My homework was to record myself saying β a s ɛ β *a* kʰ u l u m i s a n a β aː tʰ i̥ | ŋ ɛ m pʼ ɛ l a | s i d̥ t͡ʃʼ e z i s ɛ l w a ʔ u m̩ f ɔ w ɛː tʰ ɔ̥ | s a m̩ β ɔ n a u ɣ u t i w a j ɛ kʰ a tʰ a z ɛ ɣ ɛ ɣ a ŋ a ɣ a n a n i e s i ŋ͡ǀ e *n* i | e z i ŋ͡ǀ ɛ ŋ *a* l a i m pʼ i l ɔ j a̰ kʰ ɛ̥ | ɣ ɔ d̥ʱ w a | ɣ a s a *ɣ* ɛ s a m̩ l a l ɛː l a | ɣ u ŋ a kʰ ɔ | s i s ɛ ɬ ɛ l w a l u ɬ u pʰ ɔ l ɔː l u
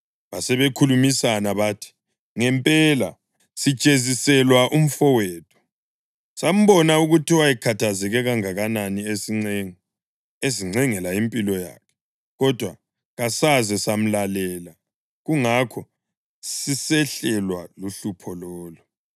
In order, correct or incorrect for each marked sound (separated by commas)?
incorrect, incorrect, incorrect, incorrect